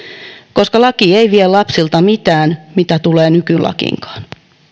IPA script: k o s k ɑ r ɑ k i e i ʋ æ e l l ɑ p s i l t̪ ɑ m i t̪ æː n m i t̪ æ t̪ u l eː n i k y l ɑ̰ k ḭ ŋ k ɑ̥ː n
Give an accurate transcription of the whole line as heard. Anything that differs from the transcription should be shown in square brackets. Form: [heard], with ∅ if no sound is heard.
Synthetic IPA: k o s k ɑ [l] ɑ k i e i ʋ [i] e l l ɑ p s i l t̪ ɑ m i t̪ æː n m i t̪ æ t̪ u l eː n [y] k y l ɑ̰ k ḭ ŋ k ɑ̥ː n